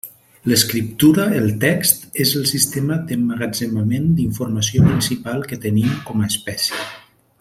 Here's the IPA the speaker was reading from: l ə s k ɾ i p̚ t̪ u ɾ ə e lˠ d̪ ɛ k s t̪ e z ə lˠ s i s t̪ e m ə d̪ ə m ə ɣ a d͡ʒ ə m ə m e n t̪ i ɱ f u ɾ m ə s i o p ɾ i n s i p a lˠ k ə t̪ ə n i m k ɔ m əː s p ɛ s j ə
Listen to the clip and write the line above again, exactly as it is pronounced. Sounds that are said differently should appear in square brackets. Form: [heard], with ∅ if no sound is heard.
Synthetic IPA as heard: l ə s k ɾ i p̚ t̪ u ɾ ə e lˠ [t̪] ɛ k s t̪ e z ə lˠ s i s t̪ e m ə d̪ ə m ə ɣ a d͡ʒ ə m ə m e n [d̪] i ɱ f u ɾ m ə s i o p ɾ i n s i p a lˠ k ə t̪ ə n i m k ɔ m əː s p ɛ s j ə

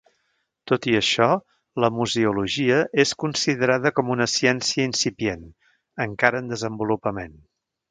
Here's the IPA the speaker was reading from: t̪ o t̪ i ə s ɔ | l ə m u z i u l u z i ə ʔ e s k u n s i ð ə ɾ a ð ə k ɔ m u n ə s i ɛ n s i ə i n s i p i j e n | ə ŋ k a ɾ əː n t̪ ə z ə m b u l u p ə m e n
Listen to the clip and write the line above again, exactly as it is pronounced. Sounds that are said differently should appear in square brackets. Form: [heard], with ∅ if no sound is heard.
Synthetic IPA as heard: t̪ o t̪ i ə [ʃ] ɔ | l ə m u z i u l u [ʒ] i ə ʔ e s k u n s i ð ə ɾ a ð ə k ɔ m u n ə s i ɛ n s i ə i n s i p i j e n | ə ŋ k a ɾ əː n [d̪] ə z ə m b u l u p ə m e n

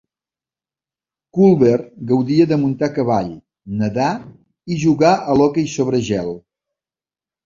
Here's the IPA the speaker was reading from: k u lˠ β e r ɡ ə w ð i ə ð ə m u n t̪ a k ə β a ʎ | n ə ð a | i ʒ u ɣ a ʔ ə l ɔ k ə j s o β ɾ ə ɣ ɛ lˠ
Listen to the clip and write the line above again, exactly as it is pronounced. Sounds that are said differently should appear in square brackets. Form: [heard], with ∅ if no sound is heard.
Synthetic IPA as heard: k u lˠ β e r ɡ ə w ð i ə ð ə m u n t̪ a k ə β a ʎ | n ə ð a | i ʒ u ɣ a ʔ ə l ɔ k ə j s o β ɾ ə [ʒ] ɛ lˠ

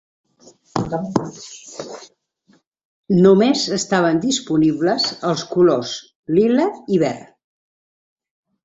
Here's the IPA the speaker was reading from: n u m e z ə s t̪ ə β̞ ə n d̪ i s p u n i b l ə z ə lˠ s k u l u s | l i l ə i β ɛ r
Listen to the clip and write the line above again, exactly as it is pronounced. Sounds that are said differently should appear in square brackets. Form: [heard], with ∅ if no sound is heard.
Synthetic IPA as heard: n u m e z ə s t̪ [a] β̞ ə n d̪ i s p u n i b l ə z ə lˠ s k u l [o] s | l i l ə i β ɛ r

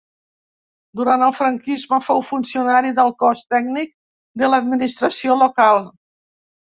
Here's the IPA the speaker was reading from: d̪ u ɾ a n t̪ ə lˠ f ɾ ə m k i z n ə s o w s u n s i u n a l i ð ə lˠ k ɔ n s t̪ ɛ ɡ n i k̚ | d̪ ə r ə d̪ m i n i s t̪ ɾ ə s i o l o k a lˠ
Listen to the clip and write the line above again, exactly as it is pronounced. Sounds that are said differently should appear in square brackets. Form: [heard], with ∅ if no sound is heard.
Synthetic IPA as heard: d̪ u ɾ a n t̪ ə lˠ f ɾ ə [ŋ] k i z [m] ə [f] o w [f] u n s i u n a [ɾ] i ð ə lˠ k ɔ [∅] s t̪ ɛ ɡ n i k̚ | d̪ ə [l] ə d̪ m i n i s t̪ ɾ ə s i o l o k a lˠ

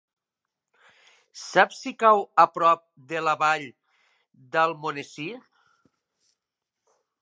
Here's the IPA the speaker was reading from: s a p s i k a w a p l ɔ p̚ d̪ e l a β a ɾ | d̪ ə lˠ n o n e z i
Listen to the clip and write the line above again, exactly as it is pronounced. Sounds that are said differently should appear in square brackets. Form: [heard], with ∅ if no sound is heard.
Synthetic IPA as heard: s a p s i k a w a p [ɾ] ɔ p̚ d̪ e l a β a [ʎ] | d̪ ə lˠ [m] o n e [s] i

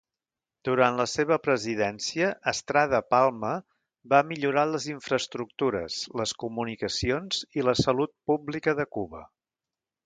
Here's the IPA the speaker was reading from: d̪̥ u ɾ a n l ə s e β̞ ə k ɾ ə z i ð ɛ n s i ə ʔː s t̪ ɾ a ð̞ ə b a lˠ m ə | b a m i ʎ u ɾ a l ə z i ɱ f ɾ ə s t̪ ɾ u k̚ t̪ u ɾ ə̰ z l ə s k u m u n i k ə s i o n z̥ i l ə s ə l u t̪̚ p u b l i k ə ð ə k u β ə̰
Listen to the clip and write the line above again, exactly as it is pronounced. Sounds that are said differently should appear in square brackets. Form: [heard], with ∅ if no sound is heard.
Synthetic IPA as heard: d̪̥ u ɾ a n l ə s e β̞ ə [p] ɾ ə z i ð ɛ n s i ə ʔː s t̪ ɾ a ð̞ ə [p] a lˠ m ə | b a m i ʎ u ɾ a l ə z i ɱ f ɾ ə s t̪ ɾ u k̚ t̪ u ɾ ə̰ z l ə s k u m u n i k ə s i o n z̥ i l ə s ə l u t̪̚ p u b l i k ə ð ə k u β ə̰

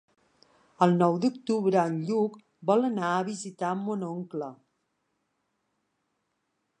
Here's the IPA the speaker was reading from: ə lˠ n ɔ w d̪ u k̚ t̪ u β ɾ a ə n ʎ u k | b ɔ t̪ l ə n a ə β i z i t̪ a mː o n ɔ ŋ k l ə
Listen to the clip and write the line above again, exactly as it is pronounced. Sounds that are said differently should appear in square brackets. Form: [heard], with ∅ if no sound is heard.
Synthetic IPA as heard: ə lˠ n ɔ w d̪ u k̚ t̪ u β ɾ [ə] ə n ʎ u k | b ɔ [∅] l ə n a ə β i z i t̪ a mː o n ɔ ŋ k l ə

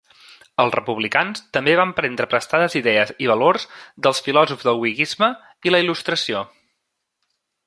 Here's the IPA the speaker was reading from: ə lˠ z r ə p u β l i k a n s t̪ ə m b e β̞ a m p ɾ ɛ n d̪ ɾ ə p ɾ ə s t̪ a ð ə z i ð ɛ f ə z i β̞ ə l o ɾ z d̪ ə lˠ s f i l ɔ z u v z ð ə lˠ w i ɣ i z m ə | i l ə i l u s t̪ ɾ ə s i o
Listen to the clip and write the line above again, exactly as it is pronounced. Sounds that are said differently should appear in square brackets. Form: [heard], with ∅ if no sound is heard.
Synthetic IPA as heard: ə lˠ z r ə p u β l i k a n s t̪ ə m b e β̞ a m p ɾ ɛ n d̪ ɾ ə p ɾ ə s t̪ a ð ə z i ð ɛ [∅] ə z i β̞ ə l o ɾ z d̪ ə lˠ s f i l ɔ z u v z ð ə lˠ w i ɣ i z m ə | i l ə i l u s t̪ ɾ ə s i o

